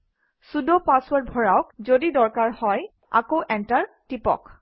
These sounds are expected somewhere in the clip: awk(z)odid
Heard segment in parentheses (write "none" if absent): z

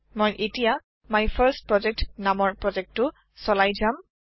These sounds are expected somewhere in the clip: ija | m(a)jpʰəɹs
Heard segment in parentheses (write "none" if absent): a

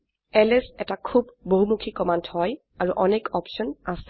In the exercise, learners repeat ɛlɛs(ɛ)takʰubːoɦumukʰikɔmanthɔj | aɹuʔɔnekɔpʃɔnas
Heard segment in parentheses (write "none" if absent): ɛ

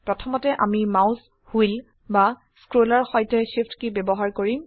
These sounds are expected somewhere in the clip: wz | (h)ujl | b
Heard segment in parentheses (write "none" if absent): h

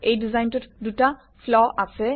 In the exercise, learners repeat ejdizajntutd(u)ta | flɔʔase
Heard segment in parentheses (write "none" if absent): u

